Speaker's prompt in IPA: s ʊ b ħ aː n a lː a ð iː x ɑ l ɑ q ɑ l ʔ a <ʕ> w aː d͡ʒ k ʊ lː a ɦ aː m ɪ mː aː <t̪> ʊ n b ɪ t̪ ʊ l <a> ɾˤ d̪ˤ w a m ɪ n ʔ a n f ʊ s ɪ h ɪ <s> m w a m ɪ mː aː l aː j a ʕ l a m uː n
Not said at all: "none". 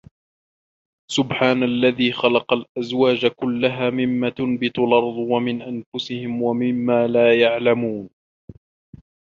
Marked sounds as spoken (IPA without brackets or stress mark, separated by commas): z, t̪, ɑ, none